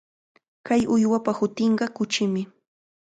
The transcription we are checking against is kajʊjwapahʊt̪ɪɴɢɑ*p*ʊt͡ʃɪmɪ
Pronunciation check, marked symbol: incorrect: k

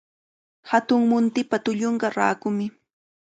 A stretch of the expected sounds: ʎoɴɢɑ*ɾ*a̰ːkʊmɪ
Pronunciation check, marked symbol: correct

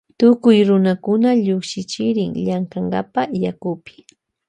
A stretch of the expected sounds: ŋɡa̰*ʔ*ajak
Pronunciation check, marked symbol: incorrect: p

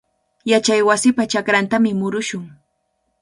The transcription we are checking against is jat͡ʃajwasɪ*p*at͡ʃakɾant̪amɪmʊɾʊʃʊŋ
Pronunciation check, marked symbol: correct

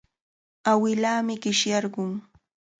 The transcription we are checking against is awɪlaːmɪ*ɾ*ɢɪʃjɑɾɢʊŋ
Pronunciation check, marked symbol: incorrect: none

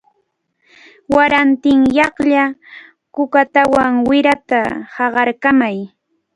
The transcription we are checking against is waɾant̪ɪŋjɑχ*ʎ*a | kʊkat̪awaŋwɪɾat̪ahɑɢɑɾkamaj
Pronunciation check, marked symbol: correct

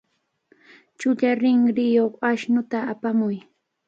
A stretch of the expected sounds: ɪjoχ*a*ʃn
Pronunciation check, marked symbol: correct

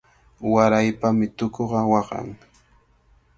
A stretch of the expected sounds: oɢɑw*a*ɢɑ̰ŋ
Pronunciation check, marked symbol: incorrect: ɑ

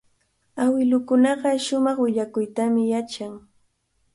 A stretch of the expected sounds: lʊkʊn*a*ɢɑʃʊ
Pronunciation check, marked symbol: incorrect: ɑ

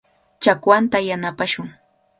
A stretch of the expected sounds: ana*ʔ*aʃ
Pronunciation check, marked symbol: incorrect: p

